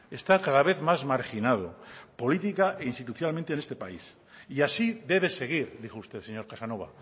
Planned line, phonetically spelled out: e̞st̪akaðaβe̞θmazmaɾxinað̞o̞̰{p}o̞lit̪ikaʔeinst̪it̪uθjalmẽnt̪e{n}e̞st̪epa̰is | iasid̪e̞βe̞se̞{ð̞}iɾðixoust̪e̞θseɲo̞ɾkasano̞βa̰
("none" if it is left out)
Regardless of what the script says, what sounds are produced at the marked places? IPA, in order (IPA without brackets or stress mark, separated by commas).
p, n, ɣ̞